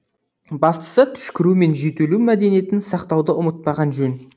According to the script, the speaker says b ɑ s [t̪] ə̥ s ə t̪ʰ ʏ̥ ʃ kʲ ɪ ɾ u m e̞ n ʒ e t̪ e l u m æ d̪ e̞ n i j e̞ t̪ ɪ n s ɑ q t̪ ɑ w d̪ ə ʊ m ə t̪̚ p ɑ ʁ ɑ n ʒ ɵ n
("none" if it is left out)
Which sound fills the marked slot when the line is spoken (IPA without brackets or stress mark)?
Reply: t̪